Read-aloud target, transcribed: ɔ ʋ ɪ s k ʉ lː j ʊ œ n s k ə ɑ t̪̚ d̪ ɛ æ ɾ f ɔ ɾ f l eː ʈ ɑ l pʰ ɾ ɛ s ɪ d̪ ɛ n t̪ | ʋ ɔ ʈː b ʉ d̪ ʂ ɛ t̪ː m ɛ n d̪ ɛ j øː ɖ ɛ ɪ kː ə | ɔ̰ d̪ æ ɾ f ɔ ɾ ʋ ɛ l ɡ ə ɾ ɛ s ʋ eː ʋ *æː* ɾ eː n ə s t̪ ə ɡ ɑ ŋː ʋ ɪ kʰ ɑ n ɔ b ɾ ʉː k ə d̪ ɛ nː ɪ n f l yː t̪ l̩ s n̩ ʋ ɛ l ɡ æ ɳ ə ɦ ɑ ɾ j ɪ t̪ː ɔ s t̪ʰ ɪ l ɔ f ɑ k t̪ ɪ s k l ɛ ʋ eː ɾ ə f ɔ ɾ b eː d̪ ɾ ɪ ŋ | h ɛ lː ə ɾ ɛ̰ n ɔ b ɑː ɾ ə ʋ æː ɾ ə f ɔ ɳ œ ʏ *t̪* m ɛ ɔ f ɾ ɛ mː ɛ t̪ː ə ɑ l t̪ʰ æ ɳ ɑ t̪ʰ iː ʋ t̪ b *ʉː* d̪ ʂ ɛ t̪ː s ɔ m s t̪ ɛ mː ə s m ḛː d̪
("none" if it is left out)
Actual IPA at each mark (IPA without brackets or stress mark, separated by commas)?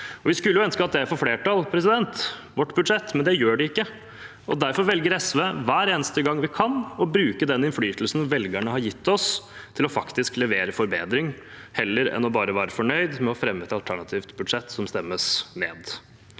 æː, d̪, ʉ